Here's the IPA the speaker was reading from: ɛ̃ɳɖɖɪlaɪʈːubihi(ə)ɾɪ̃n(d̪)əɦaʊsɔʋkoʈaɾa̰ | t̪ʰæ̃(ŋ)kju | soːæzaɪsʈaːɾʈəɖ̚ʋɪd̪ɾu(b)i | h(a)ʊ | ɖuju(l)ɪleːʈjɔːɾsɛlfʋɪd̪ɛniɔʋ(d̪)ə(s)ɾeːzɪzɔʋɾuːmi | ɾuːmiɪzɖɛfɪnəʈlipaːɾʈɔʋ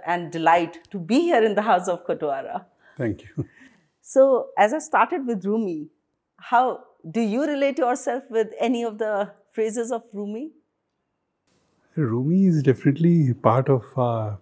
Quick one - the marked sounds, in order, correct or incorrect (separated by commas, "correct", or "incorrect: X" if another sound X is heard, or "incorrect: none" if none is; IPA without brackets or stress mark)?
correct, correct, correct, incorrect: m, correct, incorrect: ɾ, correct, incorrect: f